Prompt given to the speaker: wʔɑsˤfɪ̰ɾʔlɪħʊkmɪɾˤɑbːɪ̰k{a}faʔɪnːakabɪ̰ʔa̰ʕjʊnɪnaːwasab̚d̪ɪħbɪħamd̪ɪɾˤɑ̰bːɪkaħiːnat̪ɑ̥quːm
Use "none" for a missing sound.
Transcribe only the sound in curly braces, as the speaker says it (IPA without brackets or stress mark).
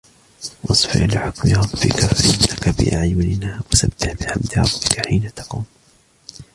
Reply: a